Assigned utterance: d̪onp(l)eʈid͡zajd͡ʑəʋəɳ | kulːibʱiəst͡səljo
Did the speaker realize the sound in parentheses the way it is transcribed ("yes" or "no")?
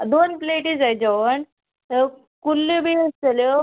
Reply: yes